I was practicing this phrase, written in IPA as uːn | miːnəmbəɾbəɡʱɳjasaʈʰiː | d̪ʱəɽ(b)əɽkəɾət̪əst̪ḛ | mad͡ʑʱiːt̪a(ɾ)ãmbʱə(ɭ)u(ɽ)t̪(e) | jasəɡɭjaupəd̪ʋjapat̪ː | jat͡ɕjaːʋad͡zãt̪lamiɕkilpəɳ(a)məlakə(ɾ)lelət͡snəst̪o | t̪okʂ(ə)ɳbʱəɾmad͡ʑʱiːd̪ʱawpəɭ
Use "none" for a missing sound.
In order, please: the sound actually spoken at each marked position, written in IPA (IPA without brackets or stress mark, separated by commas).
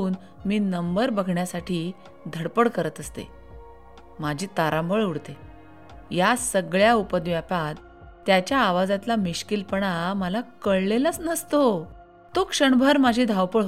p, ɾ, ɭ, ɽ, e, a, ɭ, ə